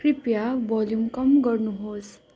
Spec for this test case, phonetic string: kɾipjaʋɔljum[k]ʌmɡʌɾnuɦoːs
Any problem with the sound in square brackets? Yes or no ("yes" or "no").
no